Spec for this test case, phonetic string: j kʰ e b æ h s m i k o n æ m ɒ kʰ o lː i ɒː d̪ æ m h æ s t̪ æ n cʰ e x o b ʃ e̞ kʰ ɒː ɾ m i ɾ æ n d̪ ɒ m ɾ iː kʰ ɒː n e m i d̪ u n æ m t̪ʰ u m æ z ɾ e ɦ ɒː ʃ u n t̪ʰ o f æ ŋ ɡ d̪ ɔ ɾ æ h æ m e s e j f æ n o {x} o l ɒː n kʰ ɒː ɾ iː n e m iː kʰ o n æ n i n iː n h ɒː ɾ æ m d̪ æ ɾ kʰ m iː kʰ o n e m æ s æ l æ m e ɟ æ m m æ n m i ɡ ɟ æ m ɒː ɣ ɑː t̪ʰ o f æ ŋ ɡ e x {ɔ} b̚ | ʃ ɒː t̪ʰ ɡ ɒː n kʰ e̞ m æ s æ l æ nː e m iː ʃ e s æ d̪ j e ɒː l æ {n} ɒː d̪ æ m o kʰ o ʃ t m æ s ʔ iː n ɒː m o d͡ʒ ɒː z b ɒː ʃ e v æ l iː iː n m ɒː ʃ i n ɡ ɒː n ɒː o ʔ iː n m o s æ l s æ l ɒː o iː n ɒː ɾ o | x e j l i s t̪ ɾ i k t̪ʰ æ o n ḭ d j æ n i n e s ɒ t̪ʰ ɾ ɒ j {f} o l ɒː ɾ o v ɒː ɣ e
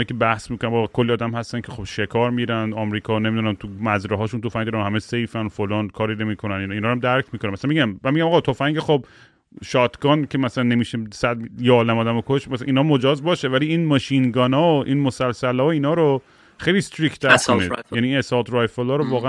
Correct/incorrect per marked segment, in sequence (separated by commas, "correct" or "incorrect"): incorrect, incorrect, incorrect, correct